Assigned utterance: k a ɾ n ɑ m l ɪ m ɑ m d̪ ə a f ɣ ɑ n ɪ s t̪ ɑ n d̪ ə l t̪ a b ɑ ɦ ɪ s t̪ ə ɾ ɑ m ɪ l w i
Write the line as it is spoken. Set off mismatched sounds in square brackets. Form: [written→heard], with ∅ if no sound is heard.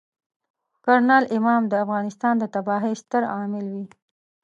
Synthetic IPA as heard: k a ɾ n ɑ [m→∅] l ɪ m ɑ m d̪ ə a f ɣ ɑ n ɪ s t̪ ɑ n d̪ ə [l→∅] t̪ a b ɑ ɦ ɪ s t̪ ə ɾ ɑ m ɪ l w i